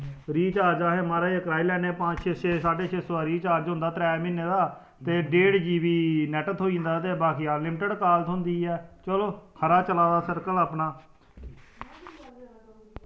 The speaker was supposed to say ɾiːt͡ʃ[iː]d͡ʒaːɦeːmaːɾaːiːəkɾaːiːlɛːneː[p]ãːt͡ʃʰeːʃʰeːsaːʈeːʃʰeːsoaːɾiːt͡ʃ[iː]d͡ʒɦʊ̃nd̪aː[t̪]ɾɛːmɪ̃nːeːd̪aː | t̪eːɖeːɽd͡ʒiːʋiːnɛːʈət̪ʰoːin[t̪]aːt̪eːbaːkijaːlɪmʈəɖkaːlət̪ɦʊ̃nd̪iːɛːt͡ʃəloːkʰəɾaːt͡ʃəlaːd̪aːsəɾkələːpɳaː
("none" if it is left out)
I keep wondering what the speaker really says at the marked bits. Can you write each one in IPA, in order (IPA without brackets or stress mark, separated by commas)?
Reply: aː, p, aː, t̪, d̪